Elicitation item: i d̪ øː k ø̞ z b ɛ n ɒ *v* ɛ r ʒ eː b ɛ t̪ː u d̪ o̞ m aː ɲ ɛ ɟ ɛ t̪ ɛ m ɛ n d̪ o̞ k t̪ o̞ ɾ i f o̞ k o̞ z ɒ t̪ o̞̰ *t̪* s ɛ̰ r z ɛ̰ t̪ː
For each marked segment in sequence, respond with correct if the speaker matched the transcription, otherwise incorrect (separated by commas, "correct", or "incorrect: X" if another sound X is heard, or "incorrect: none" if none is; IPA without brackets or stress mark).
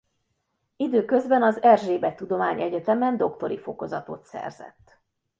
incorrect: z, correct